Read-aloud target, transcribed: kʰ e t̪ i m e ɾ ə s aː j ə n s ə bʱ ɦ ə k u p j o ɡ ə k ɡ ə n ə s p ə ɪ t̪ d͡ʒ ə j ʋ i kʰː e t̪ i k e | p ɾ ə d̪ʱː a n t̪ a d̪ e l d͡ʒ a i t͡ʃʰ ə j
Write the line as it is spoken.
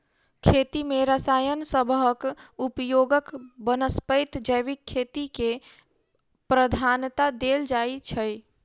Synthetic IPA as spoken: kʰ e t̪ i m e ɾ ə s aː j ə n s ə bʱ ɦ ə k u p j o ɡ ə k b ə n ə s p ə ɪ t̪ d͡ʒ ə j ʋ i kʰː e t̪ i k e | p ɾ ə d̪ʱ a n t̪ a d̪ e l d͡ʒ a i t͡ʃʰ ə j